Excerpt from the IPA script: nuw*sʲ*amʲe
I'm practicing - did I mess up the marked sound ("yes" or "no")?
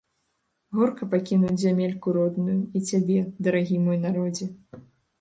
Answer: yes